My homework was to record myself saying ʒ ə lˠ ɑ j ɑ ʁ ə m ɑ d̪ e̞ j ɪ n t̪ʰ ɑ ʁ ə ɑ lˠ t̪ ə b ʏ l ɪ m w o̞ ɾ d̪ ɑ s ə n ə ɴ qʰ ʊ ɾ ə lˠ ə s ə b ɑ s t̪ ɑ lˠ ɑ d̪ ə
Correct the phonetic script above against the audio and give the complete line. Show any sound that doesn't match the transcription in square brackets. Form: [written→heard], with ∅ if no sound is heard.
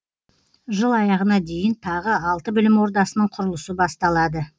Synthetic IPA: ʒ ə lˠ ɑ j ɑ ʁ ə [m→n] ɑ d̪ e̞ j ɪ n t̪ʰ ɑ ʁ ə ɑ lˠ t̪ ə b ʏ l ɪ m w o̞ ɾ d̪ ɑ s ə n ə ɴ qʰ ʊ ɾ ə lˠ ə s ə b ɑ s t̪ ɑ lˠ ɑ d̪ ə

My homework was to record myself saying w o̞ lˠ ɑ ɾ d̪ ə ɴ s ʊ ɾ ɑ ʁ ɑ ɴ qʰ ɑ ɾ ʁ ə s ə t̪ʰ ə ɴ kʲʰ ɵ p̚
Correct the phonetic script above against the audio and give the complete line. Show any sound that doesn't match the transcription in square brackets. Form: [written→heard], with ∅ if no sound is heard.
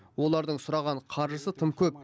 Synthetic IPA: w o̞ lˠ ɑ ɾ d̪ ə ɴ s ʊ ɾ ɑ ʁ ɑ ɴ qʰ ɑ ɾ [ʁ→ʒ] ə s ə t̪ʰ ə [ɴ→m] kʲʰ ɵ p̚

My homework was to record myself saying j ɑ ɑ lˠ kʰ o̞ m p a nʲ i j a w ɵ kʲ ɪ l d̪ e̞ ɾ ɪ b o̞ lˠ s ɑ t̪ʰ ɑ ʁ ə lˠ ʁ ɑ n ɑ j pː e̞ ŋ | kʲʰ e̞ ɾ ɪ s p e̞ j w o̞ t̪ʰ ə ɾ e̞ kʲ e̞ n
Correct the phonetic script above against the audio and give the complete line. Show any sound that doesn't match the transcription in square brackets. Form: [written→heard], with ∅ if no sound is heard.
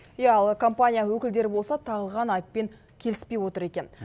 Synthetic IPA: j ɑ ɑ lˠ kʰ o̞ m p a nʲ i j a w ɵ kʲ ɪ l d̪ e̞ ɾ ɪ b o̞ lˠ s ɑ t̪ʰ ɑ ʁ ə lˠ ʁ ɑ n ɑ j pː e̞ ŋ | kʲʰ e̞ [ɾ→l] ɪ s p e̞ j w o̞ [t̪ʰ→t̪] ə ɾ e̞ kʲ e̞ n

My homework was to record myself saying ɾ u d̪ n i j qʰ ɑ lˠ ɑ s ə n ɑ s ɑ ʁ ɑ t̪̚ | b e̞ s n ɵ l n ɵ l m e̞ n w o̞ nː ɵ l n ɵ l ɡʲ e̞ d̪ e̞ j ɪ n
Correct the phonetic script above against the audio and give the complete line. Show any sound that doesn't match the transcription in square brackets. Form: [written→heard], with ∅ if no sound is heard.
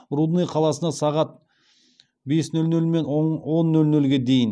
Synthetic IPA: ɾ u d̪ n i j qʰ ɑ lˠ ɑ s ə n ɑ s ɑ ʁ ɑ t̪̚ | b e̞ s n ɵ l n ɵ l m e̞ n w o̞ nː ɵ l n ɵ l ɡʲ e̞ d̪ e̞ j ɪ n

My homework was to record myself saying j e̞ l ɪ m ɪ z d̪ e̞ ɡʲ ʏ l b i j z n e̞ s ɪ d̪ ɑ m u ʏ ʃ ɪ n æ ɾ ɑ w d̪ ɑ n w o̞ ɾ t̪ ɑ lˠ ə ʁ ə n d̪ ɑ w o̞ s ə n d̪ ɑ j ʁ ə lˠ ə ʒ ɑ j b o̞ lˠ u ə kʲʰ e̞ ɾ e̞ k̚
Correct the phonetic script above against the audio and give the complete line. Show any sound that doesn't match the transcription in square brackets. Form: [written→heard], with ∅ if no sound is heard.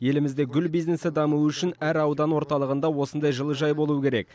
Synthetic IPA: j e̞ l ɪ m ɪ z d̪ e̞ ɡʲ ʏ l b i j z n e̞ s ɪ d̪ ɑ m u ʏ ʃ ɪ n æ ɾ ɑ w d̪ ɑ n w o̞ ɾ t̪ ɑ lˠ ə ʁ ə n d̪ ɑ w o̞ s ə n d̪ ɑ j [ʁ→ʒ] ə lˠ ə ʒ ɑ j b o̞ lˠ u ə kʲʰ e̞ ɾ e̞ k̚

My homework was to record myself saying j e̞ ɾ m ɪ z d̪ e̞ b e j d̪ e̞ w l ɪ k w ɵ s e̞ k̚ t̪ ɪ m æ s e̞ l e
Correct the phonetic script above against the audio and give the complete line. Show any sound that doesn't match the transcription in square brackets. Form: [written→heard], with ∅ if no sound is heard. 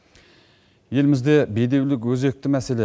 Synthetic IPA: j e̞ [ɾ→l] m ɪ z d̪ e̞ b e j d̪ e̞ w l ɪ k w ɵ [s→z] e̞ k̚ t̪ ɪ m æ s e̞ l e

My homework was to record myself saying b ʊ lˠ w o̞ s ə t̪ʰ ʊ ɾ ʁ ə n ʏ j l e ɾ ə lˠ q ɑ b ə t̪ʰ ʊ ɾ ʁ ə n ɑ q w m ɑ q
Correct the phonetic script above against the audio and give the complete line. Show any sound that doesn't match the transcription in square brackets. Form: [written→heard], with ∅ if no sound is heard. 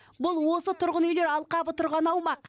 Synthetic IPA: b ʊ lˠ w o̞ s ə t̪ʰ ʊ ɾ ʁ ə n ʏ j l e ɾ [ə→ɑ] lˠ q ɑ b ə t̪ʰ ʊ ɾ ʁ [ə→ɑ] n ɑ [q→∅] w m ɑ q

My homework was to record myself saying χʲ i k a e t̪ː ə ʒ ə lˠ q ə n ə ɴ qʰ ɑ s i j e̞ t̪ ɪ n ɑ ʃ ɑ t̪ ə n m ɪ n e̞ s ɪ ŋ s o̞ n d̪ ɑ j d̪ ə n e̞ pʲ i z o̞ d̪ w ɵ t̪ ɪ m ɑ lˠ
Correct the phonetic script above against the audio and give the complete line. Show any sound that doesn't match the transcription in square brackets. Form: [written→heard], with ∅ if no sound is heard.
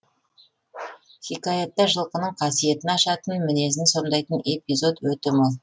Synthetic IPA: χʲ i k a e t̪ː [ə→ɑ] ʒ ə lˠ q ə n ə ɴ qʰ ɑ s i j e̞ t̪ ɪ n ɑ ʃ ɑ t̪ ə n m ɪ n e̞ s ɪ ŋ s o̞ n d̪ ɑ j [d̪→t̪] ə n e̞ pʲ i z o̞ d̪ w ɵ t̪ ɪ m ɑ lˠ

